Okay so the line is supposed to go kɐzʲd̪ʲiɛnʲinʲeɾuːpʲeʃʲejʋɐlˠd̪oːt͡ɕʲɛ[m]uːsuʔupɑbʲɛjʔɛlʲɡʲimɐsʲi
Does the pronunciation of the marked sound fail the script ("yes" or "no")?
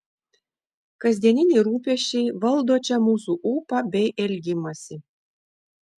no